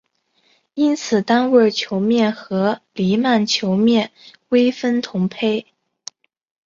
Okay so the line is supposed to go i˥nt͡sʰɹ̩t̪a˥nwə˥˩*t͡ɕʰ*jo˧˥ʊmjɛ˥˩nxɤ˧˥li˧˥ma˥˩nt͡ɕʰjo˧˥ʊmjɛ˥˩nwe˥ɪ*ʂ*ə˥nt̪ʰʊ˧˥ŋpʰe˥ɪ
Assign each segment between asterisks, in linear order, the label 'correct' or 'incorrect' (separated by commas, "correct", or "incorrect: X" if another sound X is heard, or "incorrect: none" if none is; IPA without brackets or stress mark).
correct, incorrect: f